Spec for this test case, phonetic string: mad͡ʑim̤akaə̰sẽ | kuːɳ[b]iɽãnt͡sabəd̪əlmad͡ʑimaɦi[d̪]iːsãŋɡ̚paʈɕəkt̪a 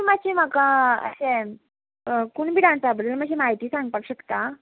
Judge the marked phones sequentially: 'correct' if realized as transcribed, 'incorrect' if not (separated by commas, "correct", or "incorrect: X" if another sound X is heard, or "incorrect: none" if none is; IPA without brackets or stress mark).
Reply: correct, incorrect: t̪